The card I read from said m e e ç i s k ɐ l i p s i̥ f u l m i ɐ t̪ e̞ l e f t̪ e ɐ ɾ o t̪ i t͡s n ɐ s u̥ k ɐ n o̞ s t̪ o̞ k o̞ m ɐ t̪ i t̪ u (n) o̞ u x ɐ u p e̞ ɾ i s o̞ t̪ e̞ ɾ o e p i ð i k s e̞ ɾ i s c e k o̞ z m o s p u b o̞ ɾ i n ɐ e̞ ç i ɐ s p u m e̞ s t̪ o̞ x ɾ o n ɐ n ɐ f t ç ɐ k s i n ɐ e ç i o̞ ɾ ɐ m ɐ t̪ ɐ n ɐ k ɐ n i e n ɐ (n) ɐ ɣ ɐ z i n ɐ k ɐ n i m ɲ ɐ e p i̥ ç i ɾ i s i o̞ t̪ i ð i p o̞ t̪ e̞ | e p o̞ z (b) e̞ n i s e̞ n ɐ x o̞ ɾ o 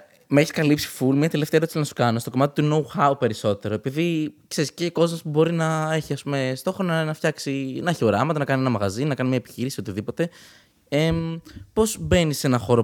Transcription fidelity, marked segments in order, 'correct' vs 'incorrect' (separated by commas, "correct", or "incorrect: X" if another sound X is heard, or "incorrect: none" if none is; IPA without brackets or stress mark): correct, incorrect: m, correct